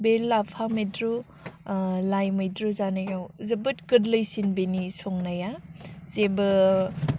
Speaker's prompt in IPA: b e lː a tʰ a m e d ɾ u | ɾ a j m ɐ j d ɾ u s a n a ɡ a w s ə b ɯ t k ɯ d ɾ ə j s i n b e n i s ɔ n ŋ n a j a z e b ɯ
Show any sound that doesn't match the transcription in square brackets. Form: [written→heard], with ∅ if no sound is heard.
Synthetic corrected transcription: b e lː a [tʰ→pʰ] a m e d ɾ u | [ɾ→l] a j m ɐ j d ɾ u [s→z] a n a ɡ a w [s→z] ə b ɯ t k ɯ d [ɾ→l] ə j s i n b e n i s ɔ [n→∅] ŋ n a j a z e b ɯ